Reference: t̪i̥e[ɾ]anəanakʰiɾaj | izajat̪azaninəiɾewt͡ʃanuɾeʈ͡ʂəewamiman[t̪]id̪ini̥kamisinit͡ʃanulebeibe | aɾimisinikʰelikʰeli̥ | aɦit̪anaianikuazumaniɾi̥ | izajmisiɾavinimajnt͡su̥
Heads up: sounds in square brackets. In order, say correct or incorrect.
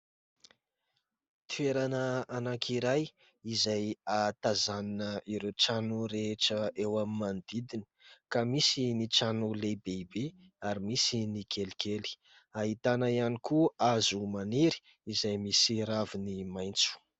correct, incorrect

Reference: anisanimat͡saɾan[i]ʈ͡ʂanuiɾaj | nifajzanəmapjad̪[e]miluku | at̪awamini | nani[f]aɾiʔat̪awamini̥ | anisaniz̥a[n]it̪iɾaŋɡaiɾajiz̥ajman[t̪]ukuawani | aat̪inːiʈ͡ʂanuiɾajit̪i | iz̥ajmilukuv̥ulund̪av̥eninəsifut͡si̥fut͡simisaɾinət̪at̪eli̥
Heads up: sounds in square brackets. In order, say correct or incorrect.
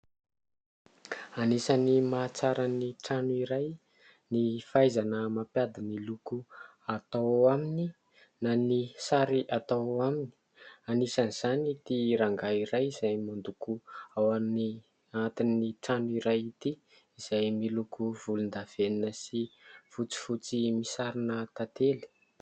correct, incorrect, incorrect, correct, incorrect

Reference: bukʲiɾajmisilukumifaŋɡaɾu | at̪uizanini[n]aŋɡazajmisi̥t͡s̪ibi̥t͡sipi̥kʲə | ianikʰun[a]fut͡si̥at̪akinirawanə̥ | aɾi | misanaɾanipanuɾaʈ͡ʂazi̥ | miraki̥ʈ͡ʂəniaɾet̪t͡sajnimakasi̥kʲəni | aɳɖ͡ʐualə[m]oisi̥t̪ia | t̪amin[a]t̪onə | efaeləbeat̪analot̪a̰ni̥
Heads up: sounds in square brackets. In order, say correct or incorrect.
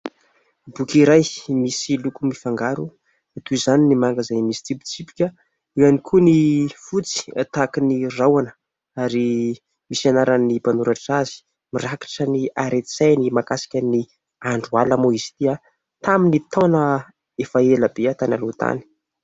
incorrect, incorrect, correct, incorrect

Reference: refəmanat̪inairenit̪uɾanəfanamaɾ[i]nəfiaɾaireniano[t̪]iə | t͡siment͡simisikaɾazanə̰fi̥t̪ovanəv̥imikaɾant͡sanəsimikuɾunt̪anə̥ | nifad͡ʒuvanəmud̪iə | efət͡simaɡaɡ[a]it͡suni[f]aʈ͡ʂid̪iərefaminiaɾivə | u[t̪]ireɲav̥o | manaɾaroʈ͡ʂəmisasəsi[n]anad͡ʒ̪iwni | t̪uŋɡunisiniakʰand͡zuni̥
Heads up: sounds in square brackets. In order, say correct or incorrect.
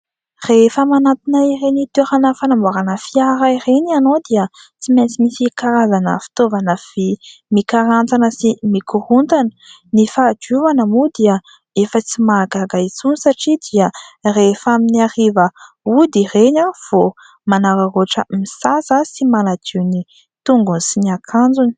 incorrect, incorrect, correct, incorrect, incorrect, incorrect

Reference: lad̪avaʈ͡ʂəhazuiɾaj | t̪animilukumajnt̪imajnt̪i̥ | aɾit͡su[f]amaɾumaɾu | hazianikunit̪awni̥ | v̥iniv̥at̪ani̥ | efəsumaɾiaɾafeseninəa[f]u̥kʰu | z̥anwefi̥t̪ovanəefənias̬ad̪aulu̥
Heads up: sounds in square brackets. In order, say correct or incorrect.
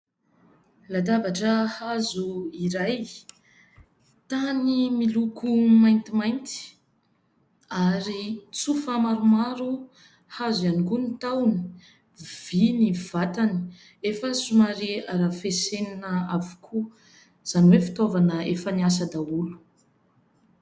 correct, incorrect

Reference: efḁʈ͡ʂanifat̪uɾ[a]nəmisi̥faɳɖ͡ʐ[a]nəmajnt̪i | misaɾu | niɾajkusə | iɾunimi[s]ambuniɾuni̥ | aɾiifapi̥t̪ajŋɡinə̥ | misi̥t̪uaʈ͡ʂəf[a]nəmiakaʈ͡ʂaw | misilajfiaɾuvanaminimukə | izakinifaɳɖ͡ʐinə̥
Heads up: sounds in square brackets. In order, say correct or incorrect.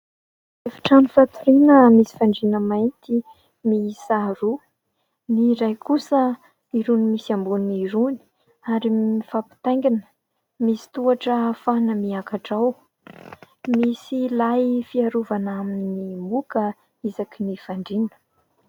incorrect, incorrect, correct, correct

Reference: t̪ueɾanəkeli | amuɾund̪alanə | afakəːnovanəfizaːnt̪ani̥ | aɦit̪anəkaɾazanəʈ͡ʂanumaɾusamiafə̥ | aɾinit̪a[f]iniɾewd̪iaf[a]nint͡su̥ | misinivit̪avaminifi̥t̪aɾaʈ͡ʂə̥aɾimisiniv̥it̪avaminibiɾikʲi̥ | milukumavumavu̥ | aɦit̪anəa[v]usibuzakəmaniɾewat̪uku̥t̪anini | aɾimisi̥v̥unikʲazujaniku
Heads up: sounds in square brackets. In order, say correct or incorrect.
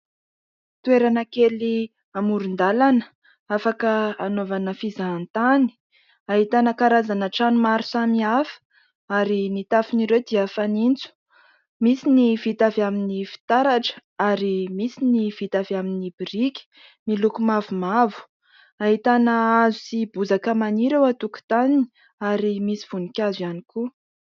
correct, correct, incorrect

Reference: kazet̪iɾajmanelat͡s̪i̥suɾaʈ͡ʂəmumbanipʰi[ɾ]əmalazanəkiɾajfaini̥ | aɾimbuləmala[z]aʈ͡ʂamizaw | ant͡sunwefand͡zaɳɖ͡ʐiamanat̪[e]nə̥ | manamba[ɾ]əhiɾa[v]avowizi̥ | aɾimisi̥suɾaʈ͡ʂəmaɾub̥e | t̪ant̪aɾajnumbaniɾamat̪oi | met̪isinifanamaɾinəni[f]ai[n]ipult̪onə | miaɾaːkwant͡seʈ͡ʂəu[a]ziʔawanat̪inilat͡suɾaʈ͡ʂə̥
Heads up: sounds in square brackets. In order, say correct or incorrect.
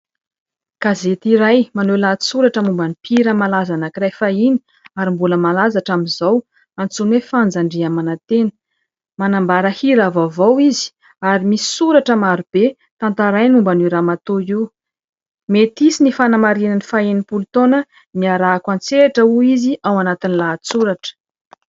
correct, correct, correct, correct, correct, correct, correct, incorrect

